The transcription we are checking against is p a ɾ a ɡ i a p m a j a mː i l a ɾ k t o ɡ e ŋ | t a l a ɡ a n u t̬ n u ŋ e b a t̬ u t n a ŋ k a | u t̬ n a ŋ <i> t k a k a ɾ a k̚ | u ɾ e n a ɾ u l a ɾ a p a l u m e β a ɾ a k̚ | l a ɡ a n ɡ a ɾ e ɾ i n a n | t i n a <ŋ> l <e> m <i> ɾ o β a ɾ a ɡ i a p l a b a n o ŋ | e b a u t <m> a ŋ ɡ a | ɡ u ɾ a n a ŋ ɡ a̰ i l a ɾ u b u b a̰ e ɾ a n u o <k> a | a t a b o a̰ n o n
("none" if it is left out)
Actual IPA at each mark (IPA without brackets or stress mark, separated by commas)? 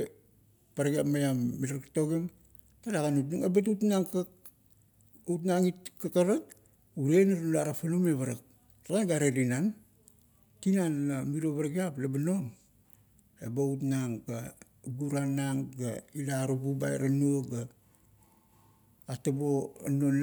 i, n, a, i, n, ɡ